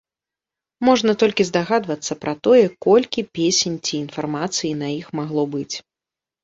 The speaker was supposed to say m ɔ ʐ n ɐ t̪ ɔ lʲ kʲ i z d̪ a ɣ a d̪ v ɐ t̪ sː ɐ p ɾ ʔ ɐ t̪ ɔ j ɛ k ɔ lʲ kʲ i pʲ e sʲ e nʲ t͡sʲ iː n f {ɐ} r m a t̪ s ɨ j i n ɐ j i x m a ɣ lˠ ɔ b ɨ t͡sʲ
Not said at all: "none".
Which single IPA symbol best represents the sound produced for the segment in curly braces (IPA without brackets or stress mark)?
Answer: a